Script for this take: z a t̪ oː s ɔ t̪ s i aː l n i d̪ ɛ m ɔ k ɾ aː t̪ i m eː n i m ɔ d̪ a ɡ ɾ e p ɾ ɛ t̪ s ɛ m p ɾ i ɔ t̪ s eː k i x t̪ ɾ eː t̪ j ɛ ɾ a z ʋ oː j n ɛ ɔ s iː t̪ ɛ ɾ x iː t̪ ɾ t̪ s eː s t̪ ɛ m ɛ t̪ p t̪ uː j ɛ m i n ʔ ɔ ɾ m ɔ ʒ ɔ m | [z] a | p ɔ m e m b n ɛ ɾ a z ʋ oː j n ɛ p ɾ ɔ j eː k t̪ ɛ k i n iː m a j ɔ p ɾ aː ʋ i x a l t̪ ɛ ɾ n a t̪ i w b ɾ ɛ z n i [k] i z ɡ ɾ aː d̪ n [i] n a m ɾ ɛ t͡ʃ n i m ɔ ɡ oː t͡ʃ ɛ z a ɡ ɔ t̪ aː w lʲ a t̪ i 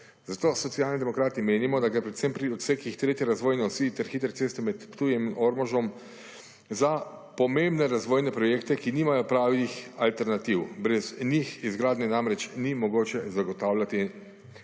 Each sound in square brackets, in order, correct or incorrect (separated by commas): correct, incorrect, incorrect